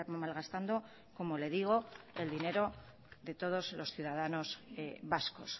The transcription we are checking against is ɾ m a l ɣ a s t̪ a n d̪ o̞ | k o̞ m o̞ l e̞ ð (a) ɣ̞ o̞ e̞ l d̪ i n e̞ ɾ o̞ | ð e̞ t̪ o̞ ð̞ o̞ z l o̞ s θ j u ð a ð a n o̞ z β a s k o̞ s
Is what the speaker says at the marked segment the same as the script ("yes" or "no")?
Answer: no